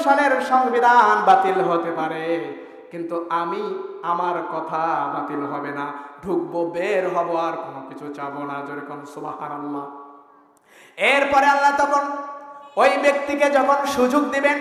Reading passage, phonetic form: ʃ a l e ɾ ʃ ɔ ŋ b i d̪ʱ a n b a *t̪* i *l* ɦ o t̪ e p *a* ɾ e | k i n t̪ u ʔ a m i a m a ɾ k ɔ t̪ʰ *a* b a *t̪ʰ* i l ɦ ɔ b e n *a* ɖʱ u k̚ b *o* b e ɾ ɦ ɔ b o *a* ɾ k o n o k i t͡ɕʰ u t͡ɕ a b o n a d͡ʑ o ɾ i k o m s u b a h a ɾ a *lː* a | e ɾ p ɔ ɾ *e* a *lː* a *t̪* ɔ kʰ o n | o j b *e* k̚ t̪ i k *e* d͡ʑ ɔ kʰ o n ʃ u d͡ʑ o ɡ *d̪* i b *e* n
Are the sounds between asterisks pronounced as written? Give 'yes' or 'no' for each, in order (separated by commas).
yes, yes, yes, yes, no, yes, yes, yes, yes, yes, yes, yes, yes, yes, yes, yes